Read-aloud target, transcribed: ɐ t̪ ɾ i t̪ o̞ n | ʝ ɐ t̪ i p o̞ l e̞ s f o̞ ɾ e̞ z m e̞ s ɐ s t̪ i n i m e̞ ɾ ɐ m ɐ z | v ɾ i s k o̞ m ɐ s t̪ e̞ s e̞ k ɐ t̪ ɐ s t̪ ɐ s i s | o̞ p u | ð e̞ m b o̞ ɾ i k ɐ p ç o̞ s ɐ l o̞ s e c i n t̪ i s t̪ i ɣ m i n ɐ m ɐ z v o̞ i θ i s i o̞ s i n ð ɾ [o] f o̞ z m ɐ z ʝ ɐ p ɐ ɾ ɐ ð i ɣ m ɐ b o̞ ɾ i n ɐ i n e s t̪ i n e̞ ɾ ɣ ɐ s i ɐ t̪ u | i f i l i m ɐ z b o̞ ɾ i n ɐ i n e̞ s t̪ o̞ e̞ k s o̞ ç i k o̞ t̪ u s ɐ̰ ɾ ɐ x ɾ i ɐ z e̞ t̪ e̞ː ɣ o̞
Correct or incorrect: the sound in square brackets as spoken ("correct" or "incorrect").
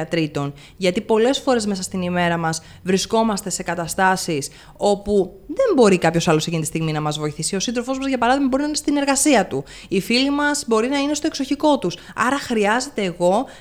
correct